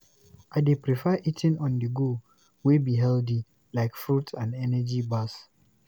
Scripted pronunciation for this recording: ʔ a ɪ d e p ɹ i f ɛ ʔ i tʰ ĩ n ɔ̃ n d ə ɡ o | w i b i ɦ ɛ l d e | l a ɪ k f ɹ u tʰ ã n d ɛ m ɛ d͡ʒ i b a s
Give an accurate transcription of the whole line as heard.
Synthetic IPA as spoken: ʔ a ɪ d e p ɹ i f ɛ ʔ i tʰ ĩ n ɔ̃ n d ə ɡ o | w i b i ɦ ɛ l d i | l a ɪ k f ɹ u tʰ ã n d ɛ n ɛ d͡ʒ i b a s